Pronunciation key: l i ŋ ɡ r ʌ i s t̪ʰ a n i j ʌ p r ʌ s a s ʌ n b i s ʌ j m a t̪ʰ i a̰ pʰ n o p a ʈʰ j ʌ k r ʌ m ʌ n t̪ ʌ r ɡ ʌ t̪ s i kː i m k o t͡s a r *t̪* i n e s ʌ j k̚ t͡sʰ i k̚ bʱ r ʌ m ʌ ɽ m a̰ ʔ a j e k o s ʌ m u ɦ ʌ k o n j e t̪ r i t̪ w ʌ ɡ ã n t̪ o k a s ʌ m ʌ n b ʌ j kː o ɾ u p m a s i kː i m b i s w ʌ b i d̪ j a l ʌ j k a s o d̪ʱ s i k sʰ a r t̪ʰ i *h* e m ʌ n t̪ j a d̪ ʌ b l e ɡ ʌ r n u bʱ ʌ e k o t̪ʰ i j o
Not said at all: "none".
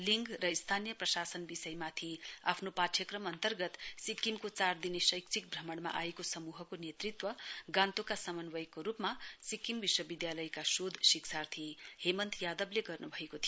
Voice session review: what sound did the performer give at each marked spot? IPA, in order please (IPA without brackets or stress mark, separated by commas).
d̪, h